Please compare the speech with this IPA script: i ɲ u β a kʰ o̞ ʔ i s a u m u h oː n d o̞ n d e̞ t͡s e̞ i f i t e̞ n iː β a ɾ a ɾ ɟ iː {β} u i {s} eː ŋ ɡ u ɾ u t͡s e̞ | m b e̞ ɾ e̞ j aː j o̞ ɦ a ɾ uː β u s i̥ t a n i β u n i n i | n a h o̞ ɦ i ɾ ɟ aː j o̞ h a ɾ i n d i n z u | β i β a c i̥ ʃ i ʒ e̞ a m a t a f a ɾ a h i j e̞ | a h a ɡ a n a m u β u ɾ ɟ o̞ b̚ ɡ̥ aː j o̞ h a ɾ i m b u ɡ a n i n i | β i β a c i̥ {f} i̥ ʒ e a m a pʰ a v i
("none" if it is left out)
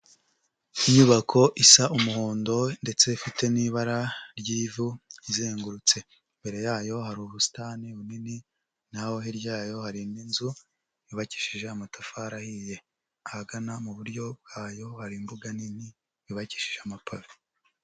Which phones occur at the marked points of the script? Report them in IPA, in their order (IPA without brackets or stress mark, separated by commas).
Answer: v, z, ʃ